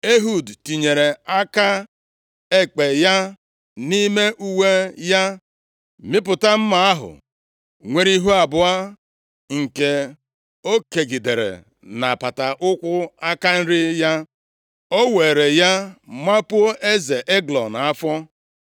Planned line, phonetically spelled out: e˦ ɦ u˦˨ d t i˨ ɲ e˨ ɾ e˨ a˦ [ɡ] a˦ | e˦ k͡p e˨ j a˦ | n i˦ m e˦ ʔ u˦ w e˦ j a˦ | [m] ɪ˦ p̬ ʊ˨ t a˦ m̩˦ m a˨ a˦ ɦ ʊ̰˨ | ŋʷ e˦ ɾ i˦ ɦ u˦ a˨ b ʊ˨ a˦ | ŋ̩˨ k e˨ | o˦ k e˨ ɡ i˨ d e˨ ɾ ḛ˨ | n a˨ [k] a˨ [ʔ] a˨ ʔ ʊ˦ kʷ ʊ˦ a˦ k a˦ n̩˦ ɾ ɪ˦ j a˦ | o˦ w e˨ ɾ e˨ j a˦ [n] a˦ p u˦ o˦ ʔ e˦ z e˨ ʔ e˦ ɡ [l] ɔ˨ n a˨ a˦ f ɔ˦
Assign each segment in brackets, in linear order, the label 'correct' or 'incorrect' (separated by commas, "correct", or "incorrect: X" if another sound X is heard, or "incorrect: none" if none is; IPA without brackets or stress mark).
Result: incorrect: k, correct, incorrect: p, incorrect: t, incorrect: m, correct